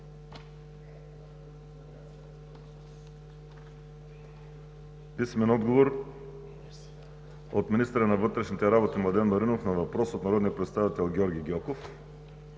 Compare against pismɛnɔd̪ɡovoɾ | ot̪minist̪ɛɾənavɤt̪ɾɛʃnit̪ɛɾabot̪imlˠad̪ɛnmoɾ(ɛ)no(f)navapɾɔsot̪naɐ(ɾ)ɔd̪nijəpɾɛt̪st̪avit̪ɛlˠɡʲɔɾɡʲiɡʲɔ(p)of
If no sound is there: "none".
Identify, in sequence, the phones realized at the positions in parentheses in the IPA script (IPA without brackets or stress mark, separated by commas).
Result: i, f, ɾ, k